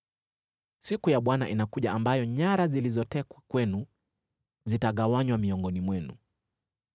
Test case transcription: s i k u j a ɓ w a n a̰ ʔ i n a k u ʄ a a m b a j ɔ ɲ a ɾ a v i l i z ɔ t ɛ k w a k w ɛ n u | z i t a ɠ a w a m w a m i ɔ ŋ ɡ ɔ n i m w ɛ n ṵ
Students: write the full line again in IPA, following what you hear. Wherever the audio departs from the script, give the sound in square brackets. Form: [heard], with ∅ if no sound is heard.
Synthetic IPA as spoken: s i k u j a ɓ w a n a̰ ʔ i n a k u ʄ a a m b a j ɔ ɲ a ɾ a [z] i l i z ɔ t ɛ k w a k w ɛ n u | z i t a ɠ a w a [ɲ] w a m i ɔ ŋ ɡ ɔ n i m w ɛ n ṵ